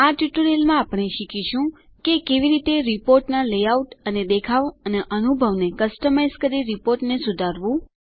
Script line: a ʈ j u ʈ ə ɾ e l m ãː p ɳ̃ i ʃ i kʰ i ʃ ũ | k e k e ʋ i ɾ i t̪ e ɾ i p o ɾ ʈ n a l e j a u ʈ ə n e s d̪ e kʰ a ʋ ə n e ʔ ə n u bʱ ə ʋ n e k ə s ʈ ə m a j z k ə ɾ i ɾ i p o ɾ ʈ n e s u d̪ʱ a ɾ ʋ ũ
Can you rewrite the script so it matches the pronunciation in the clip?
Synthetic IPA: a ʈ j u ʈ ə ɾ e l m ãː p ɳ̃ e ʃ i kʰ i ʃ ũ | k e k e ʋ i ɾ i t̪ e ɾ i p o ɾ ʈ n a l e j a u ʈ ə n e d̪ e kʰ a ʋ ə n e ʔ ə n u bʱ ə ʋ n e k ə s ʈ ə m a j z k ə ɾ i ɾ i p o ɾ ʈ n e s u d̪ʱ a ɾ ʋ ũ